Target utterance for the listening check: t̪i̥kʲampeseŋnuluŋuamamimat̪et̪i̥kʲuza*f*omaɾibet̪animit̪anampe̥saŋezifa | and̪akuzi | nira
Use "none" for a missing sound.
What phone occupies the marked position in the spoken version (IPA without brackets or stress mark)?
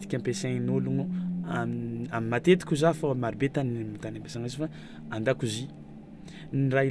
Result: f